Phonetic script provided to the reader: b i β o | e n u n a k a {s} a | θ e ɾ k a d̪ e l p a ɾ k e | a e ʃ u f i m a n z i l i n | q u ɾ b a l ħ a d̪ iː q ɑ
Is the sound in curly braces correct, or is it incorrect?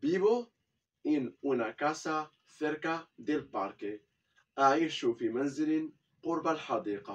correct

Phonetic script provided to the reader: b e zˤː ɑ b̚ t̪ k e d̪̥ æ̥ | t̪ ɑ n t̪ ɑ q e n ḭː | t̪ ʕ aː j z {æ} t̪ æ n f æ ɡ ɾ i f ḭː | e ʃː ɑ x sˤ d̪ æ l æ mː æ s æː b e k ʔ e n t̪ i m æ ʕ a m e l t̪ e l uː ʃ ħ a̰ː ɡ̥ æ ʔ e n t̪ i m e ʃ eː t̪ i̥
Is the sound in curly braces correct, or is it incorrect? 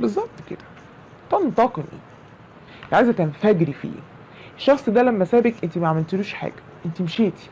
correct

